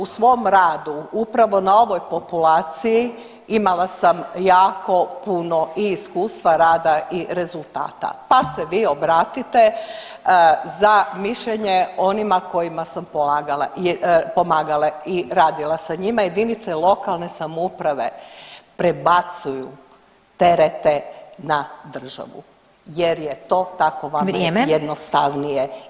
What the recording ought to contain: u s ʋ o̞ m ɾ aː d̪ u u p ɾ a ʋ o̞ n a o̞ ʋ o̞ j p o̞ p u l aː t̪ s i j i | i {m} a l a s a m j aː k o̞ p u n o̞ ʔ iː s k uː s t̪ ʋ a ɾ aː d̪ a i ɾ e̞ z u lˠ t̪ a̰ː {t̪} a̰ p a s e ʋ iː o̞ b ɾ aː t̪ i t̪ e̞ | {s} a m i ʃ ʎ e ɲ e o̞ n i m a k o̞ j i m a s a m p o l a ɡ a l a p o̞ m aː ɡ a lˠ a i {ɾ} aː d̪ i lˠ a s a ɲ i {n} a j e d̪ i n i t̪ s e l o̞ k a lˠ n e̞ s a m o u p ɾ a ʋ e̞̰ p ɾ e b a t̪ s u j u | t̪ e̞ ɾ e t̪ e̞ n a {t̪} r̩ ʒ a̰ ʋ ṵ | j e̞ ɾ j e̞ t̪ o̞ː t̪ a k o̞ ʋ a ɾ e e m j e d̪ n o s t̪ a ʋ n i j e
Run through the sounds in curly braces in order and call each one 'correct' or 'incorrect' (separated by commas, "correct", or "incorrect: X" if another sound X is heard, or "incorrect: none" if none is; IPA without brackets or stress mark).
correct, correct, incorrect: z, correct, incorrect: m, incorrect: d̪